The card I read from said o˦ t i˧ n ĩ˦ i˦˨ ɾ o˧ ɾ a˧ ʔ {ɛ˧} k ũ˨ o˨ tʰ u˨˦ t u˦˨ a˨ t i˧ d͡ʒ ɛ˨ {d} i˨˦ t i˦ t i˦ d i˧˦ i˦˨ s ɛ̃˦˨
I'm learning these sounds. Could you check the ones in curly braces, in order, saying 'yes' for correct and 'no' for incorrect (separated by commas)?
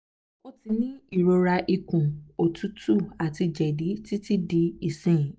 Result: no, yes